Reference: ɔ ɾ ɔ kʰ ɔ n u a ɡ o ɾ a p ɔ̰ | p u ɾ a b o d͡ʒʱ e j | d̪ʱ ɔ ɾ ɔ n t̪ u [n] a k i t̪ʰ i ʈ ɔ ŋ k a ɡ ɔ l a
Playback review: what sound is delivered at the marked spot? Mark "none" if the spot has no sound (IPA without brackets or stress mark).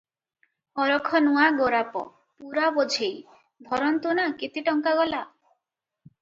n